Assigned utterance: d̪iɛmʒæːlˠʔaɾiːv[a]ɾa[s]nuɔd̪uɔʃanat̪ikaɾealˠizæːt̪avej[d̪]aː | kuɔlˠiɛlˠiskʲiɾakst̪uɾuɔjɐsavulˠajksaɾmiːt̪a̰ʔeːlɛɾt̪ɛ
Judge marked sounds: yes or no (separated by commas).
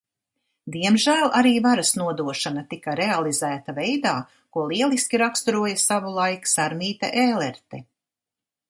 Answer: yes, yes, yes